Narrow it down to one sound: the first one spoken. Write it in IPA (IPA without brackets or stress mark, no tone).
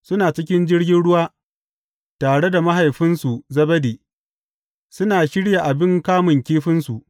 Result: s